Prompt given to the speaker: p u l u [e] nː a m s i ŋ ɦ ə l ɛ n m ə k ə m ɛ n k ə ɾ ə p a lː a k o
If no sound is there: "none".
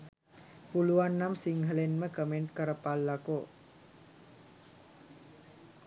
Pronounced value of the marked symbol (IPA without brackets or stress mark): a